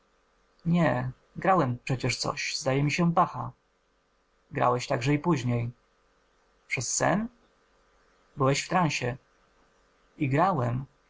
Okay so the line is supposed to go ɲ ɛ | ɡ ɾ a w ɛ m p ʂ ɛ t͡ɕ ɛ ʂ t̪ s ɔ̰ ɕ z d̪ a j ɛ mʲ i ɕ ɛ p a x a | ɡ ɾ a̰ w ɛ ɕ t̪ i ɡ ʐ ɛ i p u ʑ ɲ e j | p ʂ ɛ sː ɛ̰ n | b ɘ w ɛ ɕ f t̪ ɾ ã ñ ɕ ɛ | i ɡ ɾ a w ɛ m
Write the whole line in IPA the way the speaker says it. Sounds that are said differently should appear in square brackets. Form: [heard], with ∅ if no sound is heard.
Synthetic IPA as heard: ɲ ɛ | ɡ ɾ a w ɛ m p ʂ ɛ t͡ɕ ɛ ʂ t̪ s ɔ̰ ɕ z d̪ a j ɛ mʲ i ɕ ɛ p a x a | ɡ ɾ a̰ w ɛ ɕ t̪ [a] ɡ ʐ ɛ i p u ʑ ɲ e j | p ʂ ɛ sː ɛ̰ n | b ɘ w ɛ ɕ f t̪ ɾ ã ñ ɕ ɛ | i ɡ ɾ a w ɛ m